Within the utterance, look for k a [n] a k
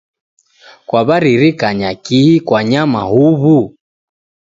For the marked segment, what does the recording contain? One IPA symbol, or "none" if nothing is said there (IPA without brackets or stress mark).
ɲ